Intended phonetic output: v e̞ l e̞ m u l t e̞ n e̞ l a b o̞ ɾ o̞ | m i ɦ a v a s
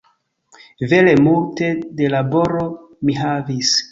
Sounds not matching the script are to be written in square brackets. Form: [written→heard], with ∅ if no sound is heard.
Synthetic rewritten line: v e̞ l e̞ m u l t e̞ [n→d] e̞ l a b o̞ ɾ o̞ | m i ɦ a v [a→i] s